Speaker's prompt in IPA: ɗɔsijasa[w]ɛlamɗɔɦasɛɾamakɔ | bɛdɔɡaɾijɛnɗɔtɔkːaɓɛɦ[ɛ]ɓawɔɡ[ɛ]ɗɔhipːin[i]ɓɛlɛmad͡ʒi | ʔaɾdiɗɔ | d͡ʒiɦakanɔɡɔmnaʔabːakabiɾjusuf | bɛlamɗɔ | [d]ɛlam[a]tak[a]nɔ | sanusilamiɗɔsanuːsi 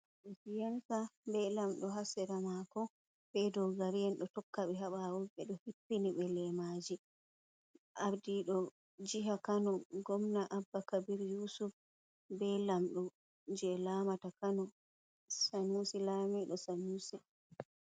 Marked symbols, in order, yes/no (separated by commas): no, no, yes, yes, no, yes, yes